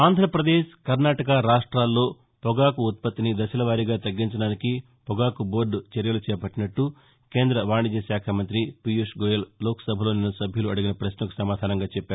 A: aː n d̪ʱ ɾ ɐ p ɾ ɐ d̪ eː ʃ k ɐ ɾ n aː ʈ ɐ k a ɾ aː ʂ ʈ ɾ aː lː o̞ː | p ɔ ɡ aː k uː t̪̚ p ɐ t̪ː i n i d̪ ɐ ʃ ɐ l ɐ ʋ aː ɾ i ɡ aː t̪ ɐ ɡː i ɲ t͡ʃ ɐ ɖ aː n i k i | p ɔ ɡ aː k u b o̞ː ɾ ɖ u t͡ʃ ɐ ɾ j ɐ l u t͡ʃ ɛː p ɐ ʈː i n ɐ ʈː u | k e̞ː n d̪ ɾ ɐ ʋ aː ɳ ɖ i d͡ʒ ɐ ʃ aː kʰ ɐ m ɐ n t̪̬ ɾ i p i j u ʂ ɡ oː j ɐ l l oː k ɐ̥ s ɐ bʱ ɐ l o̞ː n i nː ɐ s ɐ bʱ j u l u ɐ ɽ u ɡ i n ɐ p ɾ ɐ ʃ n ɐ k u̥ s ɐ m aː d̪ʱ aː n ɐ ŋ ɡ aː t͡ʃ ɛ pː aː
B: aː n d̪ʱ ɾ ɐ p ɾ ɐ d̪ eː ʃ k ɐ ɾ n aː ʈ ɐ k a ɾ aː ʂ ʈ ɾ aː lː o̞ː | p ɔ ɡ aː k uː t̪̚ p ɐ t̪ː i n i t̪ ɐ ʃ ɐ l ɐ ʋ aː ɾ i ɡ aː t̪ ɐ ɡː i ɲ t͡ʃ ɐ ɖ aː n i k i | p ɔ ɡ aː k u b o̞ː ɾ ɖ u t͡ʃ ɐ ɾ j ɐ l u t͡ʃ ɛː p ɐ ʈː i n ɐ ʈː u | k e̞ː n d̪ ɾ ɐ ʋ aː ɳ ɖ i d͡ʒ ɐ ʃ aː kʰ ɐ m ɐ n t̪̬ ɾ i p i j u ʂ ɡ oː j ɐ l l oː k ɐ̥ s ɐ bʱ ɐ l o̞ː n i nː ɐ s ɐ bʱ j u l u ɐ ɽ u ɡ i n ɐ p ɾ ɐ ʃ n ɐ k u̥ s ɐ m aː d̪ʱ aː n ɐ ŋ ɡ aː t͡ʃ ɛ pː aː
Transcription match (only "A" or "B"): A